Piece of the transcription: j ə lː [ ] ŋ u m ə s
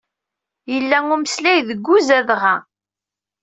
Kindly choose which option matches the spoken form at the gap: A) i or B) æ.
B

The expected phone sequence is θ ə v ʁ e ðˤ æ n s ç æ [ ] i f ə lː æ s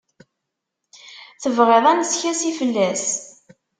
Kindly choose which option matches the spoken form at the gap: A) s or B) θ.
A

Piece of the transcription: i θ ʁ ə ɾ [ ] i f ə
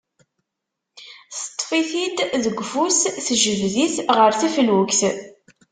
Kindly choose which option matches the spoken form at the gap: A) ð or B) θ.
B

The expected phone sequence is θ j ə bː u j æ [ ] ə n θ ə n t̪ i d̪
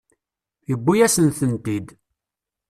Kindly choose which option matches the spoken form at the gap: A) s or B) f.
A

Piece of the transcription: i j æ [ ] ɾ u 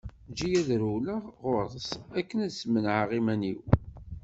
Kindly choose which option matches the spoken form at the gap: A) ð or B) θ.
A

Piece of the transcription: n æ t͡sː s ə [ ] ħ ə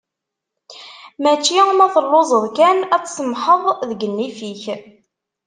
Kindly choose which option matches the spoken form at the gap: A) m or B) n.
A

